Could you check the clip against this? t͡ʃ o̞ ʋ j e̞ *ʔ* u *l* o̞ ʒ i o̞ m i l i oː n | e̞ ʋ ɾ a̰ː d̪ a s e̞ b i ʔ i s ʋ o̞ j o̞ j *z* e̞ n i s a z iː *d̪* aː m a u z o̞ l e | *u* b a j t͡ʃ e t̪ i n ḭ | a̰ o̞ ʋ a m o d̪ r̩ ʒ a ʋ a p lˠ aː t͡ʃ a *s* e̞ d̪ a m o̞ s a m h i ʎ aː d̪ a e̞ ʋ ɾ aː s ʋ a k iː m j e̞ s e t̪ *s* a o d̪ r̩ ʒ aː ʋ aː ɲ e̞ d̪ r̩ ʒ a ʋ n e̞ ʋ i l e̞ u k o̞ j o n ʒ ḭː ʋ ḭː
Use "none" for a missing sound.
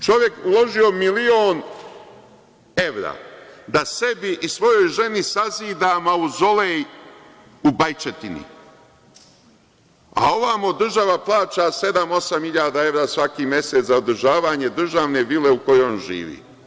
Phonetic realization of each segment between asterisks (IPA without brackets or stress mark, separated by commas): k, l, ʒ, d̪, u, s, z